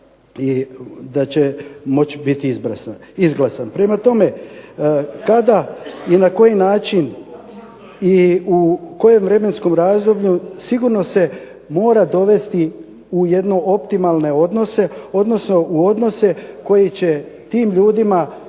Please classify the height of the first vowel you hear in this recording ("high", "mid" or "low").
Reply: high